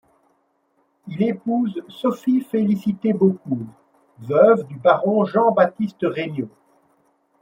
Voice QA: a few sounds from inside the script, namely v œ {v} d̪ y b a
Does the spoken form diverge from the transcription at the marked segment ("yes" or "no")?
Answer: no